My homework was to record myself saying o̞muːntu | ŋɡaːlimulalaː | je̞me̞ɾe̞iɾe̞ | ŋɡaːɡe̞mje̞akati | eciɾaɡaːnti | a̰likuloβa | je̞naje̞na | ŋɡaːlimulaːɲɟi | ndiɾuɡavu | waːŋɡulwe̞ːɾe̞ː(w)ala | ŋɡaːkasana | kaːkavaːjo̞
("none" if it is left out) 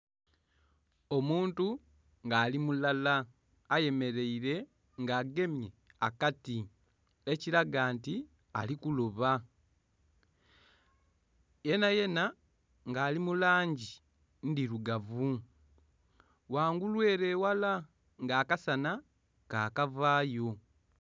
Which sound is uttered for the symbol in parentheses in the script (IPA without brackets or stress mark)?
w